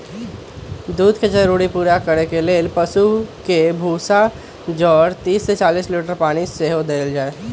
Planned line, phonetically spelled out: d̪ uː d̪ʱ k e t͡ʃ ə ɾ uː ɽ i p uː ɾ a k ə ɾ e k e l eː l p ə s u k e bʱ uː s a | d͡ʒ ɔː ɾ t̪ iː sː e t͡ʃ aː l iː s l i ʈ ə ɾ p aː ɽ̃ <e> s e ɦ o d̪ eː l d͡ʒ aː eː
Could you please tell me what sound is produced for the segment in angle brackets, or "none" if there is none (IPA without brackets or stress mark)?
i